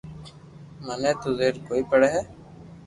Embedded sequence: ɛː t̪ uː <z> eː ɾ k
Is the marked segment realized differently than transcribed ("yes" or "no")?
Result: no